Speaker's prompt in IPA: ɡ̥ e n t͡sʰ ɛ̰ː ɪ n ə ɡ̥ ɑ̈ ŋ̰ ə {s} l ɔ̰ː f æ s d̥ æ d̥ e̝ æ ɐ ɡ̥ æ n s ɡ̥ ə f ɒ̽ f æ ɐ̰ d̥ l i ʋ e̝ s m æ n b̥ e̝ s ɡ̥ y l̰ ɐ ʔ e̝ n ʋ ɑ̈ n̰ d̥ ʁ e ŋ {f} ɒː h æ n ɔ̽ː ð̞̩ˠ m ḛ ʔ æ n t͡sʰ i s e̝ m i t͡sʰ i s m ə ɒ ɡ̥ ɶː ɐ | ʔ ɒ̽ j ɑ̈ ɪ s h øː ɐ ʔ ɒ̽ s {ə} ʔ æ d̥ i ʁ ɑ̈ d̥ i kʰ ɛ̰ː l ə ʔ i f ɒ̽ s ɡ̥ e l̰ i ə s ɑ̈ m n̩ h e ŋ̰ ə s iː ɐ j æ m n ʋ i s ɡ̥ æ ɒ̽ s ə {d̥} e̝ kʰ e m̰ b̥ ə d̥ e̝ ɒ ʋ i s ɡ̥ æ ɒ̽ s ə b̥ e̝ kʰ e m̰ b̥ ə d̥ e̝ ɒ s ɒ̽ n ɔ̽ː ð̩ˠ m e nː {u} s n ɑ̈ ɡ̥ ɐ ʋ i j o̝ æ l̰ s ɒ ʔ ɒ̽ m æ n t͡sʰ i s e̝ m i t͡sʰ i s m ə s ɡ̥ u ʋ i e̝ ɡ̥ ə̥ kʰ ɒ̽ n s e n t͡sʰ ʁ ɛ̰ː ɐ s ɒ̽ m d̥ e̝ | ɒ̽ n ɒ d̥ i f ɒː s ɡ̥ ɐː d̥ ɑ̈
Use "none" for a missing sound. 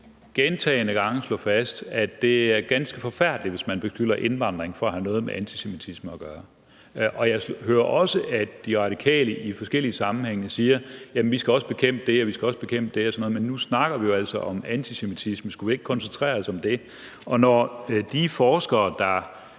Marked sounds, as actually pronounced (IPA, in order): s, f, ə, b̥, u

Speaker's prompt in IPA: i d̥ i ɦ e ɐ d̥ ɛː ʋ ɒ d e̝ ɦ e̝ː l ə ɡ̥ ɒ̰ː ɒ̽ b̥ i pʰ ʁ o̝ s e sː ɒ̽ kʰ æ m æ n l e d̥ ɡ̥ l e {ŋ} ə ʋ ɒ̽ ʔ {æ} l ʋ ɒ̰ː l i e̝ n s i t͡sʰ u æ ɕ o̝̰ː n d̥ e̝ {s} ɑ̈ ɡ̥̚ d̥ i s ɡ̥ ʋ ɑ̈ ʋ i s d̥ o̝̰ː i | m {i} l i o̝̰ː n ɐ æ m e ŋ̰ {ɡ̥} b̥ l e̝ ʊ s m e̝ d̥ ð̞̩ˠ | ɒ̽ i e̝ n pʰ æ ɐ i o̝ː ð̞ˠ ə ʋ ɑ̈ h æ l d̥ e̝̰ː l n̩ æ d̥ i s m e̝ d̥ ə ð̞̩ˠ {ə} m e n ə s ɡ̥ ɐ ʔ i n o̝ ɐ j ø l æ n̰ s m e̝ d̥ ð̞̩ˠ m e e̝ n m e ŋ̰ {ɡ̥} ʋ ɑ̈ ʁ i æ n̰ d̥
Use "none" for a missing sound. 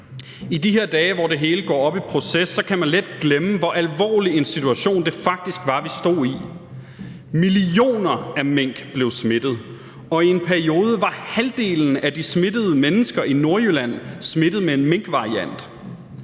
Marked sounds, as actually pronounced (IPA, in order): m, æ, f, i, ɡ̥, ə, ɡ̥

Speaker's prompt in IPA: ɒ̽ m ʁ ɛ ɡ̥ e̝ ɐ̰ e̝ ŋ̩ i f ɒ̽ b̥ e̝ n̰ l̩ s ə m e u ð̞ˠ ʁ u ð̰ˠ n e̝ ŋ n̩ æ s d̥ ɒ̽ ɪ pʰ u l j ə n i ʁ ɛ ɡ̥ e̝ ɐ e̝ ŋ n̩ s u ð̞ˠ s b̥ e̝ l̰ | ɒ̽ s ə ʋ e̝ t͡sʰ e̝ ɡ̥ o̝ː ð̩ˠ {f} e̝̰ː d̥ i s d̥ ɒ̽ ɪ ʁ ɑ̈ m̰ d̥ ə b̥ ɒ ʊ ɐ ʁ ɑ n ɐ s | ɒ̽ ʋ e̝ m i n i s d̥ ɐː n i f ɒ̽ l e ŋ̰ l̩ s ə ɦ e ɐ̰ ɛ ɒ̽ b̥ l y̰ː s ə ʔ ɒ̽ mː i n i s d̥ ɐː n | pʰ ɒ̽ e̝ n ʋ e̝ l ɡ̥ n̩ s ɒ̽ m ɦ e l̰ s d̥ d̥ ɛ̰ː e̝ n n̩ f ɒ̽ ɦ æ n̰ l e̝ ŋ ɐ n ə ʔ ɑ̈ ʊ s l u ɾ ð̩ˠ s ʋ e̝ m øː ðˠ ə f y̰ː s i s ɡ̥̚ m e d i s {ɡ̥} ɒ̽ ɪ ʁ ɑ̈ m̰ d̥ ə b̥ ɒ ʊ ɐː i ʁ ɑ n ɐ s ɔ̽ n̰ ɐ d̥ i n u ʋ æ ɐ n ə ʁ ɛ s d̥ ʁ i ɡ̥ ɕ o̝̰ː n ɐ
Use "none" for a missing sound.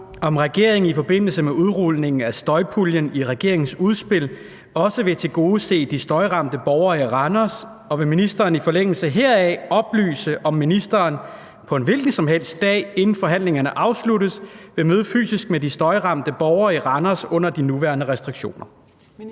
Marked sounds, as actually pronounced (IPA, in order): s, d̥

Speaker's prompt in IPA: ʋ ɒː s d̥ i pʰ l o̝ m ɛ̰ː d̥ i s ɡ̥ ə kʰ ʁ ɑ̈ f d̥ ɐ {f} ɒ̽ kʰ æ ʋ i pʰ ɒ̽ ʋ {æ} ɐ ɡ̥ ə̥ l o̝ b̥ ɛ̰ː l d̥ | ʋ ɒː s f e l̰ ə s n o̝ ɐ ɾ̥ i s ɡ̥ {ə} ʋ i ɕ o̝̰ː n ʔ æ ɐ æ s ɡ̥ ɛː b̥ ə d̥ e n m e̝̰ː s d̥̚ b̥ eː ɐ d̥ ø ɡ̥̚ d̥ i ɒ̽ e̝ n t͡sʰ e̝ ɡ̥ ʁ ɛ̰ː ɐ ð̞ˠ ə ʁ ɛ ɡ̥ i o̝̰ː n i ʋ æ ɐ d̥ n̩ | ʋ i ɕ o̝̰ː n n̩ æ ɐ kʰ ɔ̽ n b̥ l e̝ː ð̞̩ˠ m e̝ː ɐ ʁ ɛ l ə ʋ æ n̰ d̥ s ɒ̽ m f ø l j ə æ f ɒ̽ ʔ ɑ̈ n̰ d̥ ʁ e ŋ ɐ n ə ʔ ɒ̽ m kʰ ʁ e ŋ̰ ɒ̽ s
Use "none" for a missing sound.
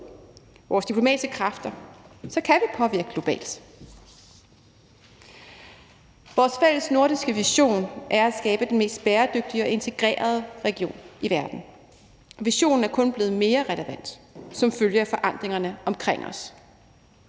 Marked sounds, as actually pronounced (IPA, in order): s, i, ə

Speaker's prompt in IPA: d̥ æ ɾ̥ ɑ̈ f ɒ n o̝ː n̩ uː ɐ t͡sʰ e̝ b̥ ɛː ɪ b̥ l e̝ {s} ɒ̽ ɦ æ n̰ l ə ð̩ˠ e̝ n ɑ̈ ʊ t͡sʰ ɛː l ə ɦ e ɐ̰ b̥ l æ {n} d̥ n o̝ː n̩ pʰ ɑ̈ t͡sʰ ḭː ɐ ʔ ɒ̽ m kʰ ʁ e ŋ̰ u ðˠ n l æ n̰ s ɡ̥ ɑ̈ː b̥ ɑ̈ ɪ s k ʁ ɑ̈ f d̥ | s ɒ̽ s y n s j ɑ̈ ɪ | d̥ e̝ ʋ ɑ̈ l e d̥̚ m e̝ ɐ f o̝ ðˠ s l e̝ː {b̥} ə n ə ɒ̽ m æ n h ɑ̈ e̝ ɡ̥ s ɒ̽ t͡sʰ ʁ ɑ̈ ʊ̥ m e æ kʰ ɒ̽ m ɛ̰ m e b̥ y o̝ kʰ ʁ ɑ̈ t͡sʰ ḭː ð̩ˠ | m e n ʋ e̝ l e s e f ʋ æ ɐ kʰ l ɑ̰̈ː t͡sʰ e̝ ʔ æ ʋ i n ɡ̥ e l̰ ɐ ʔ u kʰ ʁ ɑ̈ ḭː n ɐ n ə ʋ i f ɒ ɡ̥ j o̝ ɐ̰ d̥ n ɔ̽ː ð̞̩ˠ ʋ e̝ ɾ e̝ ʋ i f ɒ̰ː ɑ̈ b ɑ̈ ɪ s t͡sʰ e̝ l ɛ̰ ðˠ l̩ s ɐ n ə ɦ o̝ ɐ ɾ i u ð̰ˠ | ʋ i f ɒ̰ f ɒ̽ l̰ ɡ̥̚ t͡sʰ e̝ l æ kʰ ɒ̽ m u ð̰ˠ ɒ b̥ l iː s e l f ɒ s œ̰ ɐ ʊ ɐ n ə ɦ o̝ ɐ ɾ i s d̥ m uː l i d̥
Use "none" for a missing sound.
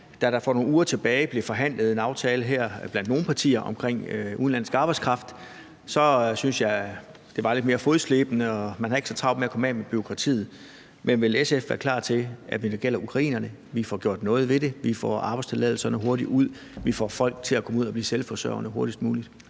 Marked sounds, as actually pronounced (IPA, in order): f, n, b̥

